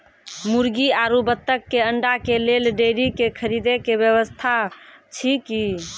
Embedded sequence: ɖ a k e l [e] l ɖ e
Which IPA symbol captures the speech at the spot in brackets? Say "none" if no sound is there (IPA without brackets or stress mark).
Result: e